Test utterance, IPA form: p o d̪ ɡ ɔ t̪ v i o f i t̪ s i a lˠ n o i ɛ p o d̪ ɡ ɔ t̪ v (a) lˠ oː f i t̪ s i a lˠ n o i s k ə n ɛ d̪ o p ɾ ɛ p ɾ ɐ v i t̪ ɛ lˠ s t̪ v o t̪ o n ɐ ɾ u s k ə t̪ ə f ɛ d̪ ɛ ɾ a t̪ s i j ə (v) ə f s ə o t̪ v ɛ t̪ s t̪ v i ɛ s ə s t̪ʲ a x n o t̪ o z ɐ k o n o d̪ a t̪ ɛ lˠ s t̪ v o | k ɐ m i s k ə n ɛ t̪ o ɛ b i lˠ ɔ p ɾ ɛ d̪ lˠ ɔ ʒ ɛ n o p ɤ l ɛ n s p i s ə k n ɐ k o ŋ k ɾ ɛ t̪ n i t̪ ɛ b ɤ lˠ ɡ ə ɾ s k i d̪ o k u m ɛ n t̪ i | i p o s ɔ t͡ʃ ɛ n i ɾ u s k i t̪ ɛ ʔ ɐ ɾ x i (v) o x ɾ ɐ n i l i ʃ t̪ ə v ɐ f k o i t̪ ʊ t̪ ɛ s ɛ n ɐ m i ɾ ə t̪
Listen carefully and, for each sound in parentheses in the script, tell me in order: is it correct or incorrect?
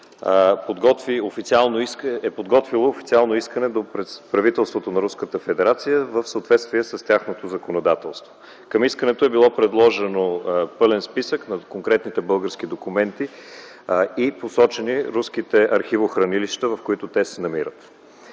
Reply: incorrect, correct, correct

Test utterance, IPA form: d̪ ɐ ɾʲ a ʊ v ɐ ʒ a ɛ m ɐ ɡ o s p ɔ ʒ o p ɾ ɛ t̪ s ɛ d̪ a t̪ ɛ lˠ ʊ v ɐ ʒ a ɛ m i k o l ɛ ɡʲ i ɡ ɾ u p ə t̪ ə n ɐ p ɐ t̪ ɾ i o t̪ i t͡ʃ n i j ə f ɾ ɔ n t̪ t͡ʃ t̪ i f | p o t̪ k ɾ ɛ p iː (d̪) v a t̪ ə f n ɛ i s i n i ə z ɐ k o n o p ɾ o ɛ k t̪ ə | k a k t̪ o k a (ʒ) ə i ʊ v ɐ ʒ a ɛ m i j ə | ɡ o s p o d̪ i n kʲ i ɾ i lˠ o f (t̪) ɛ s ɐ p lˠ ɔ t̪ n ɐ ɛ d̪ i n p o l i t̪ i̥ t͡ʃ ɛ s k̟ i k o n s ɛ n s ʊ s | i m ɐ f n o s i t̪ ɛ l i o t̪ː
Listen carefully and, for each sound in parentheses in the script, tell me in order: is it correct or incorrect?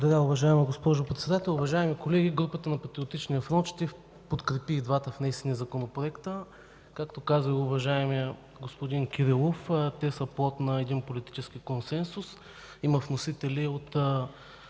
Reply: correct, incorrect, correct

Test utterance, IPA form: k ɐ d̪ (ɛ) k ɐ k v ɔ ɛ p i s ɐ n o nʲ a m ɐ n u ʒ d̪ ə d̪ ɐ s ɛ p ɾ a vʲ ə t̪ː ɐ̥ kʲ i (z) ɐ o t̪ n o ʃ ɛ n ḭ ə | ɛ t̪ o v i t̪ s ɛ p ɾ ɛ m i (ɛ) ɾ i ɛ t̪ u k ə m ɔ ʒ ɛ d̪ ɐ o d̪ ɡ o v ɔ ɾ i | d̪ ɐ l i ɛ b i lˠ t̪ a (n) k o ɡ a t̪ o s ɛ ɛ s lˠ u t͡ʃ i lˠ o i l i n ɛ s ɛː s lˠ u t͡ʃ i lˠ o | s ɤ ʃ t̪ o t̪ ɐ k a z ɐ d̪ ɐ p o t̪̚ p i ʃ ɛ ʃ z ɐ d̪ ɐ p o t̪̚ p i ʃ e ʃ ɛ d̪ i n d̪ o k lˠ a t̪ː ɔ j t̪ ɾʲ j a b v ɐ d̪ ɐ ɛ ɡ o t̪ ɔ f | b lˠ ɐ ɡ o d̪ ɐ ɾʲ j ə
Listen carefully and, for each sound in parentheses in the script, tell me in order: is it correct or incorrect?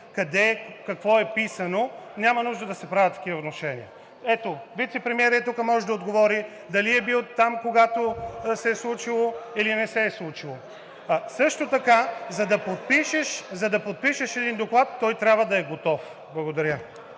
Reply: correct, incorrect, correct, incorrect

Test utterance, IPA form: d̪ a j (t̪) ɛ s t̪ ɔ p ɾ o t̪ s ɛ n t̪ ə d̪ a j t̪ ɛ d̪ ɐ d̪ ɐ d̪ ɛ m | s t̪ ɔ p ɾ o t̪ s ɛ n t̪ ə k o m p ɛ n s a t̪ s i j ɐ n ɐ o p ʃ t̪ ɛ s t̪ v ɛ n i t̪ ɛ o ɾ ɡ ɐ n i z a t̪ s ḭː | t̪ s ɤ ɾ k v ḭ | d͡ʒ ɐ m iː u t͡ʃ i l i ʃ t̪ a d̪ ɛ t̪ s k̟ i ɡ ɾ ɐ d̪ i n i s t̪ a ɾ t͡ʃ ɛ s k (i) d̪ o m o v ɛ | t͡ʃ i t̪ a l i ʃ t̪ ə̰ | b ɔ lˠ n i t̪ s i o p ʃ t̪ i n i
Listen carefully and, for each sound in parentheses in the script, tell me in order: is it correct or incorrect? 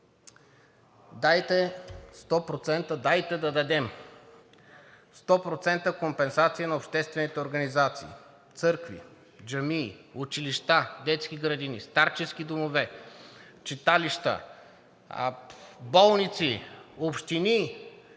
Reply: correct, correct

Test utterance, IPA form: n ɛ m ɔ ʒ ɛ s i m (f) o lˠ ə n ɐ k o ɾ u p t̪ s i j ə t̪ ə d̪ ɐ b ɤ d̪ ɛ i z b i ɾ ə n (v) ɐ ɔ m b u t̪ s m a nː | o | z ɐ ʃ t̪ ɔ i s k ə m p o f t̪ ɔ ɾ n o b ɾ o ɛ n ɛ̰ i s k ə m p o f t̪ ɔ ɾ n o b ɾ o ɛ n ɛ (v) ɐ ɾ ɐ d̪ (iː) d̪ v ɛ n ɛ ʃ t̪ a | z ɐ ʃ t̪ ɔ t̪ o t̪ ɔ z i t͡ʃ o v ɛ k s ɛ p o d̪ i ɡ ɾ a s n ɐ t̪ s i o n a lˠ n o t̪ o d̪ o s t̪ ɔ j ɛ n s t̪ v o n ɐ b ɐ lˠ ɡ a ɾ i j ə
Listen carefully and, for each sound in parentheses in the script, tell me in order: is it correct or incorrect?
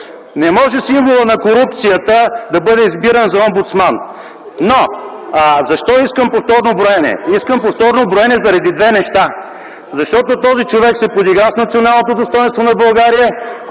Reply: incorrect, incorrect, incorrect, incorrect

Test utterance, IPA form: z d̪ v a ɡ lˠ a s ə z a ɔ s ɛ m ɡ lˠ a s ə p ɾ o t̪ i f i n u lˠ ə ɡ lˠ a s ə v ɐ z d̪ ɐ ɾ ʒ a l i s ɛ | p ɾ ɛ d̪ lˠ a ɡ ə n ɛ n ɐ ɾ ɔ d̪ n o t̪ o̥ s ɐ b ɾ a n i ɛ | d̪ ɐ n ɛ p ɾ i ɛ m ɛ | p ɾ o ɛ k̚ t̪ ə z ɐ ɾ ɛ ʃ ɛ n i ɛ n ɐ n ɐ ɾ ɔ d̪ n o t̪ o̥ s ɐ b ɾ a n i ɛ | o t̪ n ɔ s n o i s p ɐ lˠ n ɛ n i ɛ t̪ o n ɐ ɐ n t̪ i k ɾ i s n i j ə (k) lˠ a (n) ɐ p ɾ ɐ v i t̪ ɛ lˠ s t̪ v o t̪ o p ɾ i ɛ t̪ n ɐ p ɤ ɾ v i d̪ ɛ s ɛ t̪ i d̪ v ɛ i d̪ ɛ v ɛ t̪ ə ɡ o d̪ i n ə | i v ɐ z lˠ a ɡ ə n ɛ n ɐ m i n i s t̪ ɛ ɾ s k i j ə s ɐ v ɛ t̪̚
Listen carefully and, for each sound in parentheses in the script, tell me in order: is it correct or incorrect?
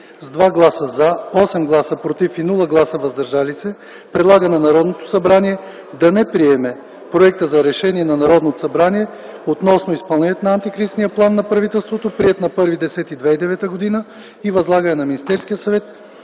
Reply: incorrect, incorrect

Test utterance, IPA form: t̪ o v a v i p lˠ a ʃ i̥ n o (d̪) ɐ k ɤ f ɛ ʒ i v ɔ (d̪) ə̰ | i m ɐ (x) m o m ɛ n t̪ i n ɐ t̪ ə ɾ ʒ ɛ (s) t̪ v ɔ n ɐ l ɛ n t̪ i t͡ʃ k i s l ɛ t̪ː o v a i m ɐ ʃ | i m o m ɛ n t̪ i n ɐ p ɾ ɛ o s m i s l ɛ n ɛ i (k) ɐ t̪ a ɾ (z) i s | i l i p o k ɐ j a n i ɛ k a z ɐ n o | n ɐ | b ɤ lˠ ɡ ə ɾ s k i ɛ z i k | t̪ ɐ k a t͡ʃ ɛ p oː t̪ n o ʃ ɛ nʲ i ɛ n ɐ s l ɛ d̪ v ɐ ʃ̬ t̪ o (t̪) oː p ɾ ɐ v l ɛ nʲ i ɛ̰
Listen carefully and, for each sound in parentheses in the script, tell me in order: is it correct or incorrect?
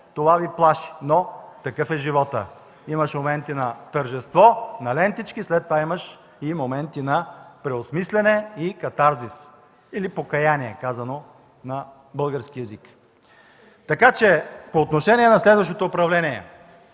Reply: incorrect, incorrect, incorrect, correct, correct, correct, correct

